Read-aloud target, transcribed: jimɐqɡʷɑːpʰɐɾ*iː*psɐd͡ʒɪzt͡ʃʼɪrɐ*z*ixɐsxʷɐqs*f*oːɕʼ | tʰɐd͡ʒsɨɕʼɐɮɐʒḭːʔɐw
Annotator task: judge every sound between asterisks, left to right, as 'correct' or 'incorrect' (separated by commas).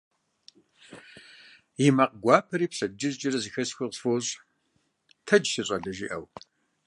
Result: correct, correct, correct